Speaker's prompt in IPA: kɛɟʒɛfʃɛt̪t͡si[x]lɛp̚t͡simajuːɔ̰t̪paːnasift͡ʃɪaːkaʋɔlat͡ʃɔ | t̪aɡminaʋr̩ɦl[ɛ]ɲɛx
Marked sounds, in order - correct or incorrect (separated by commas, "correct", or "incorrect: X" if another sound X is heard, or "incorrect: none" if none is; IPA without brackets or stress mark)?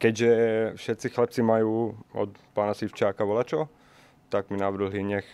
correct, incorrect: i